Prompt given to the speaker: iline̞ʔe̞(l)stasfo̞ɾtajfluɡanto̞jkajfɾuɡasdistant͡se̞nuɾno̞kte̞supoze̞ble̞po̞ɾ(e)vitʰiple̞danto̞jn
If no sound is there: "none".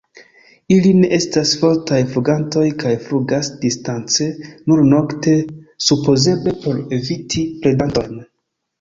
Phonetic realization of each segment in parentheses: none, e

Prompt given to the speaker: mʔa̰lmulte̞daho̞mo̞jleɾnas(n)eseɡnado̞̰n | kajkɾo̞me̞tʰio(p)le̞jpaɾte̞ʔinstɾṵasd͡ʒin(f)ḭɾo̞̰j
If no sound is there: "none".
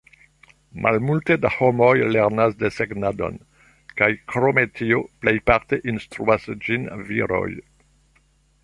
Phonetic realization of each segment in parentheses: d, p, v

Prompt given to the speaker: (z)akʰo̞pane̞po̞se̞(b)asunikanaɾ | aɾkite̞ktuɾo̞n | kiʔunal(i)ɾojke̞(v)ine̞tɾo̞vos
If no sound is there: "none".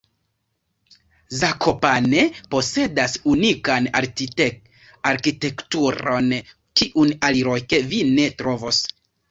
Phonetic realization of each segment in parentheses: z, d, i, v

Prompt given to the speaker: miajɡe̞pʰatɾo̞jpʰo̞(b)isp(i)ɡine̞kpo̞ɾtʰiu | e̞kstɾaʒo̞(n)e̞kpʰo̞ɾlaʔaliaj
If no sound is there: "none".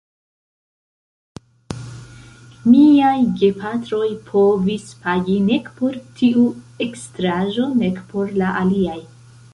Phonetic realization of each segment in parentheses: v, a, n

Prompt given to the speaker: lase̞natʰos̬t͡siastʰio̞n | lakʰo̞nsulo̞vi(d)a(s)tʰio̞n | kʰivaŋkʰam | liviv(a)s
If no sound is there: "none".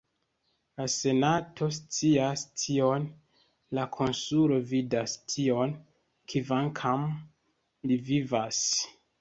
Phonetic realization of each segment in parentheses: d, s, a

